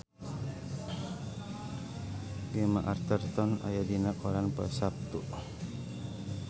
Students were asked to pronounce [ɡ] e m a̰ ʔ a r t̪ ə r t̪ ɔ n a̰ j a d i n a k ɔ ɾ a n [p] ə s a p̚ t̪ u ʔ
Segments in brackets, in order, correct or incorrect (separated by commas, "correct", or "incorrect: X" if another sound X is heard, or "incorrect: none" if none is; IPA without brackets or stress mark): correct, correct